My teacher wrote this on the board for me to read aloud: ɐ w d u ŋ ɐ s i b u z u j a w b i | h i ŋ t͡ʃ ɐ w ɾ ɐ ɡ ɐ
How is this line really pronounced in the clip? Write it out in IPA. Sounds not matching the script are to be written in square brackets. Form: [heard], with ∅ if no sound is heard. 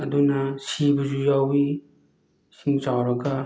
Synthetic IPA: ɐ [∅] d u [n] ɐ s i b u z u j a w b i | [s] i ŋ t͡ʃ [a] w ɾ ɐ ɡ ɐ